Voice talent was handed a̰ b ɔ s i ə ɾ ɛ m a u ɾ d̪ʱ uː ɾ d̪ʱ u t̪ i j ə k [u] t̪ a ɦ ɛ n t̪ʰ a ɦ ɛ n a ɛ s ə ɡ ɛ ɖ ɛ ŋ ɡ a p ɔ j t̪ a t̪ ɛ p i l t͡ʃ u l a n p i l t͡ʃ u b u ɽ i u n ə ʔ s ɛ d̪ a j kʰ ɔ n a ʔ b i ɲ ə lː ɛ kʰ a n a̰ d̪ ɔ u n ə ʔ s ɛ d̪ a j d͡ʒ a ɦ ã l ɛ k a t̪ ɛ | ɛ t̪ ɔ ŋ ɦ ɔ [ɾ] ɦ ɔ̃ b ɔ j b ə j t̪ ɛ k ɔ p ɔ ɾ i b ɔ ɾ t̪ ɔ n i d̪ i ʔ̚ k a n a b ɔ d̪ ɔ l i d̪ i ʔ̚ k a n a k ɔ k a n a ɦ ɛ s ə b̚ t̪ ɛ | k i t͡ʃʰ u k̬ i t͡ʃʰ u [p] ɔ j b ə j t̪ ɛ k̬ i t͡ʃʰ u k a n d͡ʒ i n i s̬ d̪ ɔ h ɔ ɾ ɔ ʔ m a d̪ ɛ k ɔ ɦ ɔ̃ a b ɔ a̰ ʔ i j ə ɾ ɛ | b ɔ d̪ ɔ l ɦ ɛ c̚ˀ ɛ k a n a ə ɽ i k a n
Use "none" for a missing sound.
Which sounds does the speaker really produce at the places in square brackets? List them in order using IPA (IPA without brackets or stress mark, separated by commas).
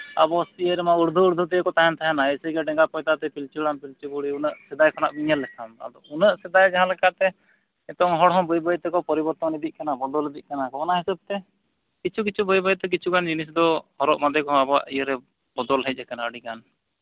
ɔ, ɽ, b